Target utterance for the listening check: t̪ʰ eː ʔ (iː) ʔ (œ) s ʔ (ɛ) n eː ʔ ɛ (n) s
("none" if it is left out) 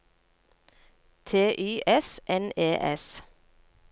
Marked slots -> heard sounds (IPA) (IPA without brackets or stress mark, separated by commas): yː, ɛ, ɛ, none